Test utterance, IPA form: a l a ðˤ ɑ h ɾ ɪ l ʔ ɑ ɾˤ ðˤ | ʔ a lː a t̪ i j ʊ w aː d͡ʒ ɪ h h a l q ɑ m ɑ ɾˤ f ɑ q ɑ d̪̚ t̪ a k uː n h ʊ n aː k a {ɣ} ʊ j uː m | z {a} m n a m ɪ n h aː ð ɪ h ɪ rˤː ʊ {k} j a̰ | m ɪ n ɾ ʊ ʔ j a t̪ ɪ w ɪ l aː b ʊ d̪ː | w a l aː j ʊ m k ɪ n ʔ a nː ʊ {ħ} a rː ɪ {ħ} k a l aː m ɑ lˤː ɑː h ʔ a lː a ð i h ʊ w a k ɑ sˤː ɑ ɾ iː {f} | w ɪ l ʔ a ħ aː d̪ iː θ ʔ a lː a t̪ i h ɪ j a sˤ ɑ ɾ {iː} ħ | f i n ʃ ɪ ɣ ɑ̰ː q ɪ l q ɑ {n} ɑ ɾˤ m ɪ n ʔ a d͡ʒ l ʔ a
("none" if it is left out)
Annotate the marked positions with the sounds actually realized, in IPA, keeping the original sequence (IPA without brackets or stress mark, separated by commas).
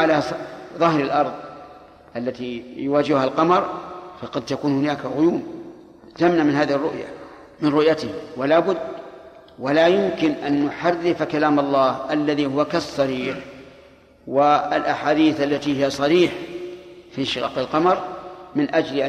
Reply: ɣ, a, ʔ, ħ, f, ħ, iː, m